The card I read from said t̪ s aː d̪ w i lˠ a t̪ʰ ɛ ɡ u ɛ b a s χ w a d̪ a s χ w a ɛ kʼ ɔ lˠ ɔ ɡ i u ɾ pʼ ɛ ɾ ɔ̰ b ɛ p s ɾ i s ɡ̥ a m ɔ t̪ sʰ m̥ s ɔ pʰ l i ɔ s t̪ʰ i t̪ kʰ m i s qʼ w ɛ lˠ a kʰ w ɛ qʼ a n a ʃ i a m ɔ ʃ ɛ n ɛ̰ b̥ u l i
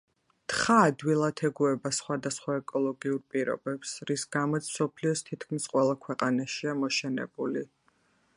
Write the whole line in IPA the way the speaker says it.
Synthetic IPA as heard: t̪ χ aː d̪ w i lˠ a t̪ʰ ɛ ɡ u ɛ b a s χ w a d̪ a s χ w a ɛ kʼ ɔ lˠ ɔ ɡ i u ɾ pʼ i ɾ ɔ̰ b ɛ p s ɾ i s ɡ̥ a m ɔ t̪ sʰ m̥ s ɔ pʰ l i ɔ s t̪ʰ i t̪ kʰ m i s qʼ w ɛ lˠ a kʰ w ɛ qʼ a n a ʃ i a m ɔ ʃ ɛ n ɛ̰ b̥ u l i